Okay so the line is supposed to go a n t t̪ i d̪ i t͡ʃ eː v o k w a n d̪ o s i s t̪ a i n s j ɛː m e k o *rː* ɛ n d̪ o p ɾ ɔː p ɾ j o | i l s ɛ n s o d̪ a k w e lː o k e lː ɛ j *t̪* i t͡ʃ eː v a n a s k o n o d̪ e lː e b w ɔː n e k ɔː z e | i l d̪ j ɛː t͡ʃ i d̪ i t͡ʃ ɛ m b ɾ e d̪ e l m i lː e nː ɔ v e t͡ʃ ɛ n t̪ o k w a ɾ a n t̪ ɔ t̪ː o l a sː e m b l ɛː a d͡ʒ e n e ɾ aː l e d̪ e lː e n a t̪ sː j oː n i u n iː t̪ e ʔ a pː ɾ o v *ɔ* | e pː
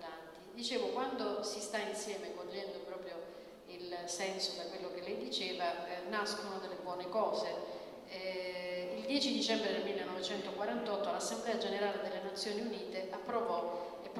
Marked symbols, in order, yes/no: no, no, yes

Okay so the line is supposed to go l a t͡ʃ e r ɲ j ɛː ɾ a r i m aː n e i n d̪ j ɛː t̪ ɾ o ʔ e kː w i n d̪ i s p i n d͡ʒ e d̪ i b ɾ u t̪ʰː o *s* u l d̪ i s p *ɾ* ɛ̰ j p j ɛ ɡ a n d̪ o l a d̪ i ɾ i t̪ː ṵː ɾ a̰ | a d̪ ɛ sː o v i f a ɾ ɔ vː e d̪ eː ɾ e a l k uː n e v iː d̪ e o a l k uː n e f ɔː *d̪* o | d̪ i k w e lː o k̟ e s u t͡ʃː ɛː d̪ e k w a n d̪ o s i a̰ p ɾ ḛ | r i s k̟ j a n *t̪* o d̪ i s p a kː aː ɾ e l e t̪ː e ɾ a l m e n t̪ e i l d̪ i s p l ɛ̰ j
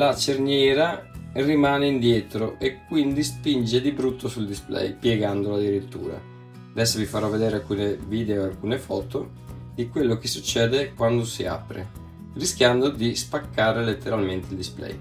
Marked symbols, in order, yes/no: yes, no, no, no

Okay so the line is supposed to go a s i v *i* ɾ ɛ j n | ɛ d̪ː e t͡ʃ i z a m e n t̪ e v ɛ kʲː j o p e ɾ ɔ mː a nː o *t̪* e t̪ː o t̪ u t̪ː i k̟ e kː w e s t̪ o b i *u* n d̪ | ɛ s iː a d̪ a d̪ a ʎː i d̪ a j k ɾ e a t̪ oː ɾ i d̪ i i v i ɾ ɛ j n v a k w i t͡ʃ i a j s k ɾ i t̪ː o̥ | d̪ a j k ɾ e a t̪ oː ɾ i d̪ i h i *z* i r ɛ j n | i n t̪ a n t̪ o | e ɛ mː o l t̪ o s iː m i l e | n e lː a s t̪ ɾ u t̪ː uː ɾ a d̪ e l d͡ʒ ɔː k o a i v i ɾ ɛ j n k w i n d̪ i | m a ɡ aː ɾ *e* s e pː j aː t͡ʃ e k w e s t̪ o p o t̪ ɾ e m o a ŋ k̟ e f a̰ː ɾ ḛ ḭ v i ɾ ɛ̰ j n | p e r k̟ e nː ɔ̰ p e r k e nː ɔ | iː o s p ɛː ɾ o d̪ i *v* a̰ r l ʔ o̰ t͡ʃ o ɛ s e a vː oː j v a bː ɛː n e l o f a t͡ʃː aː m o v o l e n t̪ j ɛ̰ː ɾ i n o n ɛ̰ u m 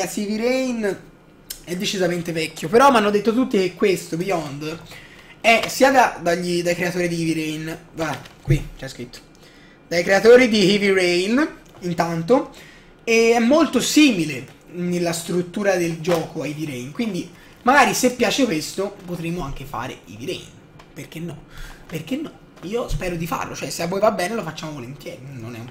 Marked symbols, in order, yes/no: yes, no, no, no, no, no

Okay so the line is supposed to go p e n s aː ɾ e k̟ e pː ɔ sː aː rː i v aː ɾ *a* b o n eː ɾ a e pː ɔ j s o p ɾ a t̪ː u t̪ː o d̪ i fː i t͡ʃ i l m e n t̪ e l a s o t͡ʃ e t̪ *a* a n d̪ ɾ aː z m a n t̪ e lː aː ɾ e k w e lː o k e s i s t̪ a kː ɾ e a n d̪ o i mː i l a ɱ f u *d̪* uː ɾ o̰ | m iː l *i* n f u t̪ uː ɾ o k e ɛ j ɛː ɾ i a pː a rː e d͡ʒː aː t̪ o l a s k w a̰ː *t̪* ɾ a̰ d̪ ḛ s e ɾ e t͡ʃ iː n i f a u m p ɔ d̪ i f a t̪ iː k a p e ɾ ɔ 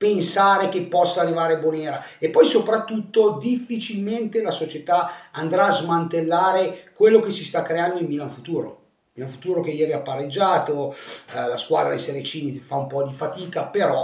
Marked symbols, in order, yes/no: no, yes, no, no, no

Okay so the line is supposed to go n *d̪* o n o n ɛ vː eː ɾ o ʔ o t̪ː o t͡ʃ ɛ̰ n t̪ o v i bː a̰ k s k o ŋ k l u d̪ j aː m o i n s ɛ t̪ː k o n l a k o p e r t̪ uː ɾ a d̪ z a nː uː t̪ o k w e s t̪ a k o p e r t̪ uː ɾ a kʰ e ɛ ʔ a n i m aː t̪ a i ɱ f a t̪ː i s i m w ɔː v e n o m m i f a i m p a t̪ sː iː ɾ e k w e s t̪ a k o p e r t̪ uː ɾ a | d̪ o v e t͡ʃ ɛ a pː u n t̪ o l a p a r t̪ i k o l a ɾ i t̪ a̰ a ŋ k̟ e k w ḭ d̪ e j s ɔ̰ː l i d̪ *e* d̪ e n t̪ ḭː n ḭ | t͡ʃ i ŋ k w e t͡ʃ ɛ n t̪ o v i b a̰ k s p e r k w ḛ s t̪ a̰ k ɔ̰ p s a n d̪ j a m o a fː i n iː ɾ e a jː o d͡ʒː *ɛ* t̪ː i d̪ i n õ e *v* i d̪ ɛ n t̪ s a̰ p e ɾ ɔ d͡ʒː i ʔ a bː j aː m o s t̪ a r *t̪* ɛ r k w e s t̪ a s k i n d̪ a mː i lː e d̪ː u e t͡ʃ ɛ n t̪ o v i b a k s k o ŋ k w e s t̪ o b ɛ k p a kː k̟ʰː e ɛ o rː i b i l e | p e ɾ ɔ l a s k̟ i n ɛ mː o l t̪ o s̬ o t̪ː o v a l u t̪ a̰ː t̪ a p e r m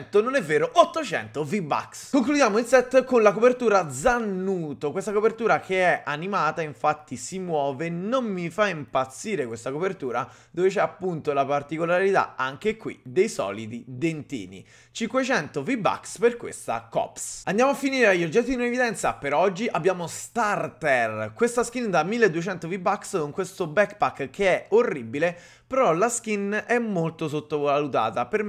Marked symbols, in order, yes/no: no, no, yes, yes, yes

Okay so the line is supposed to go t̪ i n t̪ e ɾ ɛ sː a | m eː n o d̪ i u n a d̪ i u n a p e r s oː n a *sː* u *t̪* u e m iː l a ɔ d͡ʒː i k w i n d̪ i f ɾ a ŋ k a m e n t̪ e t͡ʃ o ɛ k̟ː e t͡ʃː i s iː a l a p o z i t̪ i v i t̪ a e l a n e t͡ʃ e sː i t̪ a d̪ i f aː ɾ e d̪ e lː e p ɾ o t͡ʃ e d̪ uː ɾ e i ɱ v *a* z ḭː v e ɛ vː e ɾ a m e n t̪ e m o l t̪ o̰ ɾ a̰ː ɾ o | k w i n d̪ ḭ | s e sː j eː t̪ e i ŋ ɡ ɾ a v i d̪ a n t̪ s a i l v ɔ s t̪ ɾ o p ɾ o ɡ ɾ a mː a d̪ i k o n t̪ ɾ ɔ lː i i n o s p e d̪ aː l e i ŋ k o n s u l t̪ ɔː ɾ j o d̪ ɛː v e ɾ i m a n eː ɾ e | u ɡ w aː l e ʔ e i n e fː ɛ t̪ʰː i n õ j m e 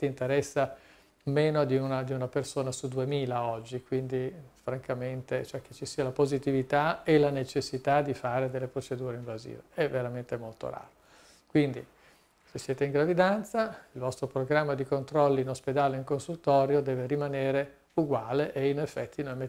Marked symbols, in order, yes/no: no, no, yes

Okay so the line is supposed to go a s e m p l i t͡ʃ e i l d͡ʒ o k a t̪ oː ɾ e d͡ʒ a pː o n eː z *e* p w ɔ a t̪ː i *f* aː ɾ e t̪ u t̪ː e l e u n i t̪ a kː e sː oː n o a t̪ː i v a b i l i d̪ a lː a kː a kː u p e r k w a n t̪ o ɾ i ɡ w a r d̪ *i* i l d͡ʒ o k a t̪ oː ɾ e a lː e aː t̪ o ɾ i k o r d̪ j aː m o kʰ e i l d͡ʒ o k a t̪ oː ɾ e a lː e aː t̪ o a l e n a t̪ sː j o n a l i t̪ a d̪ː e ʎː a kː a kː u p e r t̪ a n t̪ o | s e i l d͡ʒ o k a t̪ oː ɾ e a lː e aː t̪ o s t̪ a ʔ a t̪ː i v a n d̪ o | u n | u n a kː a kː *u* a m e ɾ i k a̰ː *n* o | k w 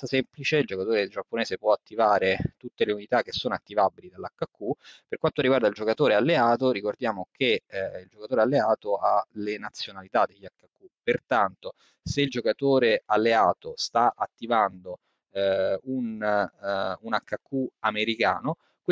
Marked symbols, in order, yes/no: yes, no, no, yes, yes

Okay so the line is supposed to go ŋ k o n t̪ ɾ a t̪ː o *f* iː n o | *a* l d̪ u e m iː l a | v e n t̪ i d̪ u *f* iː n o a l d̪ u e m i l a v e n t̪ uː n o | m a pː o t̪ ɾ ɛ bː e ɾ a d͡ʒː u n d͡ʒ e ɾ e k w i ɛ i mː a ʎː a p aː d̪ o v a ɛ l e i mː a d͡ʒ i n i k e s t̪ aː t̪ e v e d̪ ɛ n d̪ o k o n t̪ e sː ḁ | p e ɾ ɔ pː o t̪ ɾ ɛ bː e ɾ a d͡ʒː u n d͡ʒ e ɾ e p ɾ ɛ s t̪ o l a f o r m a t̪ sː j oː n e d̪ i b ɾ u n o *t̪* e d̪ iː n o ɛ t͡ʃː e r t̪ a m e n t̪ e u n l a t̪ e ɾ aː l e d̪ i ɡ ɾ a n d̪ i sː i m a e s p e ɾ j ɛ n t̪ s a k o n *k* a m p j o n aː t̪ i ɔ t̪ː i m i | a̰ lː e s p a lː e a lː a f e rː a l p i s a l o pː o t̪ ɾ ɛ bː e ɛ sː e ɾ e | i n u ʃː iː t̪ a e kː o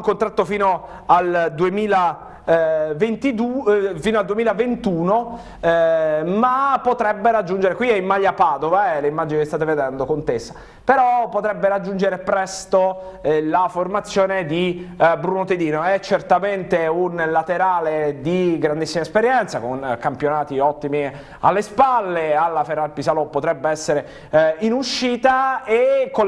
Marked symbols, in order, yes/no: yes, yes, yes, yes, yes

